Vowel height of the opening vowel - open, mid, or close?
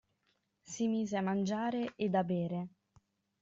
close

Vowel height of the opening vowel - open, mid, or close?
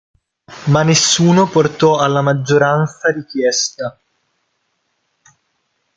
open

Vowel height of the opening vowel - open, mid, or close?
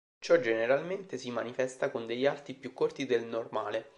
mid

